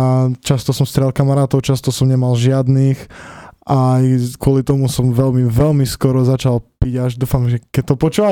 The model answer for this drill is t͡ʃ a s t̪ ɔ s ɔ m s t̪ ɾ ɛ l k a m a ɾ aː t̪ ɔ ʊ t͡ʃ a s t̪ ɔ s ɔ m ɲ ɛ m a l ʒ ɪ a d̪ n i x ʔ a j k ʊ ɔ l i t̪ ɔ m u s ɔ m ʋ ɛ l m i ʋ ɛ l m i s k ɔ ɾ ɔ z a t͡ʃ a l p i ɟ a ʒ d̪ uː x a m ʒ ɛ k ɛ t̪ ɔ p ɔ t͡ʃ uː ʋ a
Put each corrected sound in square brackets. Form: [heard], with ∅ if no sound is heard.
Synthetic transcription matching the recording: t͡ʃ a s t̪ ɔ s ɔ m s t̪ ɾ ɛ l k a m a ɾ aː t̪ ɔ ʊ t͡ʃ a s t̪ ɔ s ɔ m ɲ ɛ m a l ʒ ɪ a d̪ n i x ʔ a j k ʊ ɔ l i t̪ ɔ m u s ɔ m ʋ ɛ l m i ʋ ɛ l m i s k ɔ ɾ ɔ z a t͡ʃ a l p i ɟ a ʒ d̪ uː [f] a m ʒ ɛ k ɛ t̪ ɔ p ɔ t͡ʃ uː ʋ a